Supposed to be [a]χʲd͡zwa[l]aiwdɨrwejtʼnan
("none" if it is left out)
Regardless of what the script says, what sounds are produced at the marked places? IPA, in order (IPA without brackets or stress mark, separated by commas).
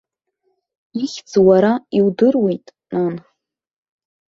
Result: i, ɾ